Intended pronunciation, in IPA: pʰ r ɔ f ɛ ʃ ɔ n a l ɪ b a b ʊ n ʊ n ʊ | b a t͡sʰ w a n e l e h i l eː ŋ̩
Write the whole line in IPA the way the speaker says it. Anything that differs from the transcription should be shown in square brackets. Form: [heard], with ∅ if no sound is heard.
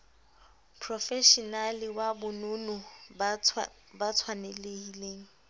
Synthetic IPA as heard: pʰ r ɔ f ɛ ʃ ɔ n a l ɪ [w] a b ʊ n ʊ n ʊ | b a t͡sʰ w a n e l e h i l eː ŋ̩